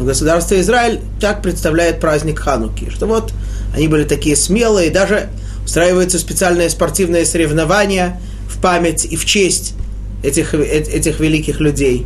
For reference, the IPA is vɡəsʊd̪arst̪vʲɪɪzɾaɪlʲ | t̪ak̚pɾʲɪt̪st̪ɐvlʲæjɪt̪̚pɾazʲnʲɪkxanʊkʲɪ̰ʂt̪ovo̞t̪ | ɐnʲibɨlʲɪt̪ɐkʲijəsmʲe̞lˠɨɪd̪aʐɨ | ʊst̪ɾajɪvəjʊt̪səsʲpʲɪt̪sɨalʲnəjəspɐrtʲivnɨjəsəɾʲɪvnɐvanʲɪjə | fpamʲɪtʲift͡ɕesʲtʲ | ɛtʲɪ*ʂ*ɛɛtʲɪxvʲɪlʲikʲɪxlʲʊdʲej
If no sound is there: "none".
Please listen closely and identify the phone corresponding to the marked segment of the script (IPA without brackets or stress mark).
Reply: x